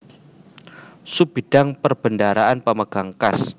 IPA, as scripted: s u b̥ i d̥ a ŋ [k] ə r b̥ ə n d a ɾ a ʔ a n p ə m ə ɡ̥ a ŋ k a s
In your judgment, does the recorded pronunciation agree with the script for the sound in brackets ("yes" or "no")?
no